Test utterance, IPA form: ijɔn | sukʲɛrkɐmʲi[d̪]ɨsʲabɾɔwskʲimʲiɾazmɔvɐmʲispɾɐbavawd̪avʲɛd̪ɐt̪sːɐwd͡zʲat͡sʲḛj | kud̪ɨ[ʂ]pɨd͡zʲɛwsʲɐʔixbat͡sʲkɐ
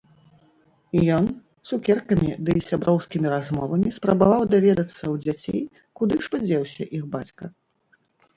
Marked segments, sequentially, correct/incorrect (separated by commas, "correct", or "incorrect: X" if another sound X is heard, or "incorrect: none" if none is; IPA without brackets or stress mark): correct, correct